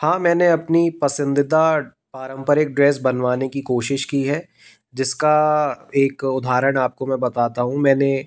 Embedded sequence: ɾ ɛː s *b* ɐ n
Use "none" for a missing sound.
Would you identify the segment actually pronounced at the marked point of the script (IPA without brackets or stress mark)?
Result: b